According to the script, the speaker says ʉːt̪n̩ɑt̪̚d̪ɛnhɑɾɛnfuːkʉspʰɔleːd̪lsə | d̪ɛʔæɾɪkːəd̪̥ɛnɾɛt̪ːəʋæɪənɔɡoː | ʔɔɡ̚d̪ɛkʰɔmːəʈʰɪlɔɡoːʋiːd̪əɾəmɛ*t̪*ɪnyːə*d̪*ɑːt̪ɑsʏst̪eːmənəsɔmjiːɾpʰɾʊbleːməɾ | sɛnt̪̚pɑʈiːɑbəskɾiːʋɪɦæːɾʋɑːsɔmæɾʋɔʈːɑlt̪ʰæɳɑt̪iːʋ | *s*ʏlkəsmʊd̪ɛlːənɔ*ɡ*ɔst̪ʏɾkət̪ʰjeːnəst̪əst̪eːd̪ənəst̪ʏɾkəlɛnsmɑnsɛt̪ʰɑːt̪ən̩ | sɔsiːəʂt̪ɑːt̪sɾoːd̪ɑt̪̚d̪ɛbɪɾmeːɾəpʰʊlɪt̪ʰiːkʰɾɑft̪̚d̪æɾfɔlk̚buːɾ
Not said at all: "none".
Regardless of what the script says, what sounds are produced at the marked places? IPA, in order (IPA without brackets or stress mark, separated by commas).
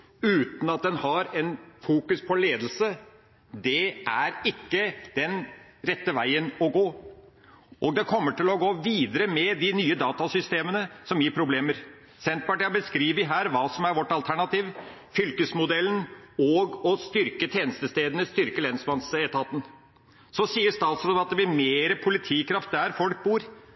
d̪, d̪, f, ɡ